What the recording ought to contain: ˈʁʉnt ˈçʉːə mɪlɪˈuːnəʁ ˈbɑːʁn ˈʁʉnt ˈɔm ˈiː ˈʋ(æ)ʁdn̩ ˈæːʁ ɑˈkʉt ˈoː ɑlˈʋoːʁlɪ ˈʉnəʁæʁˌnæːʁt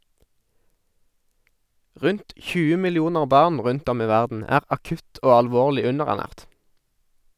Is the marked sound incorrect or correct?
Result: correct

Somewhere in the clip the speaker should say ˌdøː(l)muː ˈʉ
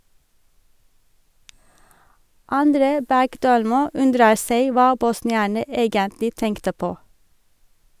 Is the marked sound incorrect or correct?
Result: correct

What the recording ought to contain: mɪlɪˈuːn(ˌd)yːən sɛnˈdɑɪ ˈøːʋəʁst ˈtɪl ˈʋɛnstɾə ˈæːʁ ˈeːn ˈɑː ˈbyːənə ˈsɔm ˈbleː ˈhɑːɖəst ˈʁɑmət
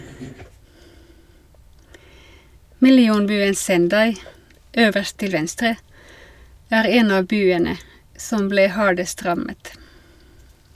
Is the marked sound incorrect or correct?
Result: incorrect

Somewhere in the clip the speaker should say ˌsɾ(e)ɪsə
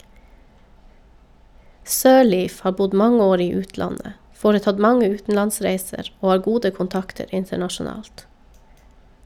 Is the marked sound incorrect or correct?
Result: incorrect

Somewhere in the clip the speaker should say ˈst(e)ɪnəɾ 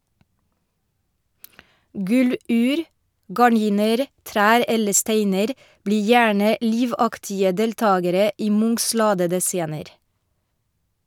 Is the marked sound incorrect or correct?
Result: correct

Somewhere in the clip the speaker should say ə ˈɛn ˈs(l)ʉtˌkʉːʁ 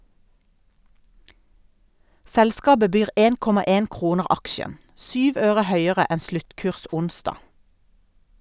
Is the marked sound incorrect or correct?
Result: correct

